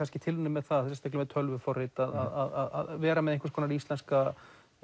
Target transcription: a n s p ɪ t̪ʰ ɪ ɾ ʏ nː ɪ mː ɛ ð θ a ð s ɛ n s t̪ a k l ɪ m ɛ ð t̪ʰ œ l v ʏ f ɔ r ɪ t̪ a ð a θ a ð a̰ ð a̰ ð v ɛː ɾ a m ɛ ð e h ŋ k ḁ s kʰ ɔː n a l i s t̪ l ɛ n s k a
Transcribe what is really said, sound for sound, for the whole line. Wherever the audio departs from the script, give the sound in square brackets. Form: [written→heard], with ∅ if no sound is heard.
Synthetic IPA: a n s [p→c] ɪ t̪ʰ ɪ [ɾ→l] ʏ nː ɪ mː ɛ ð θ a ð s ɛ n s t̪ a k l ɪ m ɛ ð t̪ʰ œ l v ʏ f ɔ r ɪ t̪ a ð a [θ→ð] a ð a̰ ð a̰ ð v ɛː ɾ a m ɛ ð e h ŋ k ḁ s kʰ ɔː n a [l→ɾ] i s t̪ l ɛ n s k a